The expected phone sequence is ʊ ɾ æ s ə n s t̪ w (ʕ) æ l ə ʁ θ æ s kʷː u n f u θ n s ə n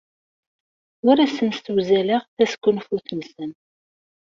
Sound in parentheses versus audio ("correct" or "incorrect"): incorrect